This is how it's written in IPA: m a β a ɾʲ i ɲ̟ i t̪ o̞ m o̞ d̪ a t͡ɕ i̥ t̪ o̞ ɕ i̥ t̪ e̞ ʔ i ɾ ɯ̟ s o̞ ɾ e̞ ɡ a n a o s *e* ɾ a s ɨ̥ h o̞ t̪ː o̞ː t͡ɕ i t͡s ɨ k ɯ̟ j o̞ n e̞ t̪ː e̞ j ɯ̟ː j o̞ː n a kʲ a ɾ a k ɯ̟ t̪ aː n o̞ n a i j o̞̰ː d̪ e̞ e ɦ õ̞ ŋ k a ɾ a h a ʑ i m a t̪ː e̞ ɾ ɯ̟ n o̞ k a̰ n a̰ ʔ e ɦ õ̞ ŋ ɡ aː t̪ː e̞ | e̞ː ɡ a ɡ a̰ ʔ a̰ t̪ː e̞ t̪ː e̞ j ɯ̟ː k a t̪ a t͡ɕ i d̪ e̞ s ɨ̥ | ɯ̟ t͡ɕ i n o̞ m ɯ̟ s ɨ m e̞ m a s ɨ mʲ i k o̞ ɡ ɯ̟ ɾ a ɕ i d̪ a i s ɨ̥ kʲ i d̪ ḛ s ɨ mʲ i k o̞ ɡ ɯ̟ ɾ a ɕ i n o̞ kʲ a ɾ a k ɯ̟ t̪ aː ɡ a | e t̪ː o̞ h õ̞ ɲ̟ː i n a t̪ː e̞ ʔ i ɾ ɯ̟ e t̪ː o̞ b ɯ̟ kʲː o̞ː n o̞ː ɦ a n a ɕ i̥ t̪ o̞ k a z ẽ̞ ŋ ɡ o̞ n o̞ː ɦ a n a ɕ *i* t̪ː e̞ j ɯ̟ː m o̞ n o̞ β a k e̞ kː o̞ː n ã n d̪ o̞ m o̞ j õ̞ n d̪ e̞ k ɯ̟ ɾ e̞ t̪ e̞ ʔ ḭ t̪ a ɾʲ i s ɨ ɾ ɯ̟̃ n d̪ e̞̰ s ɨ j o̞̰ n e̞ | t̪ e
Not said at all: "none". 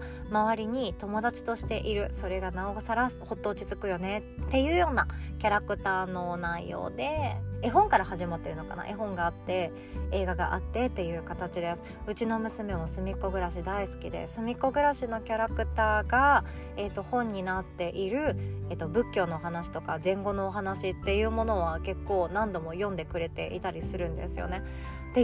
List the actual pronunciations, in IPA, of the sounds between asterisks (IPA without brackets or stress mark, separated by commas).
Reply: a, i